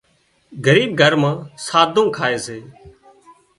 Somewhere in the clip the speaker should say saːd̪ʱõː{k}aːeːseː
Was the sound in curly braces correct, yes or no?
no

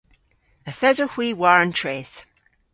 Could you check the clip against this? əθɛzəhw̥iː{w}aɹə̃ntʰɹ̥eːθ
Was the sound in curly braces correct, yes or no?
yes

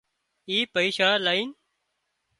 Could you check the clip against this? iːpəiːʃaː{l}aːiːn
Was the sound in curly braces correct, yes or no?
yes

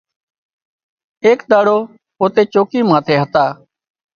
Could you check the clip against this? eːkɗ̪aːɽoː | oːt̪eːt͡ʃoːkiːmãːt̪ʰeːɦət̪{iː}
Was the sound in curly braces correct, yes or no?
no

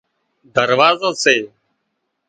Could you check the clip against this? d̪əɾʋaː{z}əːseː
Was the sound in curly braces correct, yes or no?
yes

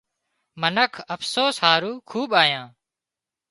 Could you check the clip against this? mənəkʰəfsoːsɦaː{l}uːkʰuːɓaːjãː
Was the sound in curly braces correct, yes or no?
no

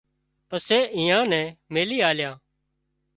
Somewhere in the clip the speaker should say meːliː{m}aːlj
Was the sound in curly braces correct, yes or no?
no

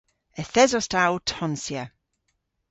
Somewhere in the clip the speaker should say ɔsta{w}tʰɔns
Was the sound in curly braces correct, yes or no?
yes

